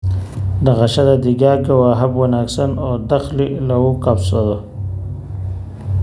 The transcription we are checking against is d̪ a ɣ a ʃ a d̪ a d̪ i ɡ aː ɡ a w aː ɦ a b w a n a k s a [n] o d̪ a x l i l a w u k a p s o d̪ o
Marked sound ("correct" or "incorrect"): correct